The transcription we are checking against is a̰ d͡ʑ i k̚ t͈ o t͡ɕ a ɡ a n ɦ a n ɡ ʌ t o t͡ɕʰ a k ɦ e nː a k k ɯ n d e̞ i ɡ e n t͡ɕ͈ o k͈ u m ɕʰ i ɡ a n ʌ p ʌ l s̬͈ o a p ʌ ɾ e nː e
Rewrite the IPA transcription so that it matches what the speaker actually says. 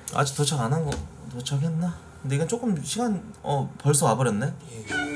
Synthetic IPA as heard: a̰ d͡ʑ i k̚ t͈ o t͡ɕʰ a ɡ a n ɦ a n ɡ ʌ t o t͡ɕʰ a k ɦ e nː a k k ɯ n d e̞ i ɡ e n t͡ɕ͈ o k͈ ɯ m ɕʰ i ɡ a n ʌ p ʌ ɭ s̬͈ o a b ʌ ɾ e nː e